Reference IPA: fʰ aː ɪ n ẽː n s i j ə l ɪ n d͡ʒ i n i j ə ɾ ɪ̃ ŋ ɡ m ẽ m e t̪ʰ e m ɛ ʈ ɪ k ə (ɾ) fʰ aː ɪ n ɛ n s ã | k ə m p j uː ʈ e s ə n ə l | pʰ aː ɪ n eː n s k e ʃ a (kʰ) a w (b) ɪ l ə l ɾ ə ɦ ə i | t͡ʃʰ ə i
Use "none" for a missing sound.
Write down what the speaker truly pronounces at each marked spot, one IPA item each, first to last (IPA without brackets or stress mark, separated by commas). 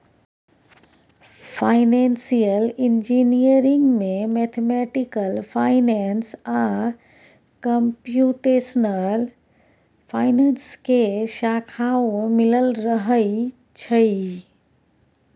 l, kʰ, m